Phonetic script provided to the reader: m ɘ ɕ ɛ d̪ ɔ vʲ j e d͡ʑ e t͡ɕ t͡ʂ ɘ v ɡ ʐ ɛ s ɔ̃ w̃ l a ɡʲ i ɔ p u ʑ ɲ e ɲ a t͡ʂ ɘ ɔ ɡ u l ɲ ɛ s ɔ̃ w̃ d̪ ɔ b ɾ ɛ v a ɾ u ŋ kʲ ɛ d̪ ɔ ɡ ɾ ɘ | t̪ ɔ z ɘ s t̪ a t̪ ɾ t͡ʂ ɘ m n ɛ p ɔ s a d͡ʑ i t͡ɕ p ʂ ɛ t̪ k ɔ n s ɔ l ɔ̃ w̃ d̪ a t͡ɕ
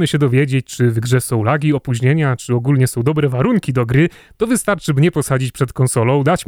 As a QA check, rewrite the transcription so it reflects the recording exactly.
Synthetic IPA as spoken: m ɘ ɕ ɛ d̪ ɔ vʲ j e d͡ʑ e t͡ɕ t͡ʂ ɘ v ɡ ʐ ɛ s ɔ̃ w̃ l a ɡʲ i ɔ p u ʑ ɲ e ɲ a t͡ʂ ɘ ɔ ɡ u l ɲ ɛ s ɔ̃ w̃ d̪ ɔ b ɾ ɛ v a ɾ u ŋ kʲ i d̪ ɔ ɡ ɾ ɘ | t̪ ɔ v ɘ s t̪ a ɾ t͡ʂ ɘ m ɲ ɛ p ɔ s a d͡ʑ i t͡ɕ p ʂ ɛ t̪ k ɔ n s ɔ l ɔ̃ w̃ d̪ a t͡ɕ